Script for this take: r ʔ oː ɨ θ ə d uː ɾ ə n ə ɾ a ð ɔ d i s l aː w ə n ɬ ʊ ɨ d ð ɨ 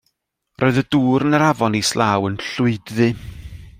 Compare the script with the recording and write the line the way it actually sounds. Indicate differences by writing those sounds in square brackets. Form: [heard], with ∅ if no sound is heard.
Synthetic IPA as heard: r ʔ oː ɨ [ð] ə d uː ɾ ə n ə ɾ a [v] ɔ [n] i s l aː w ə n ɬ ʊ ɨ d ð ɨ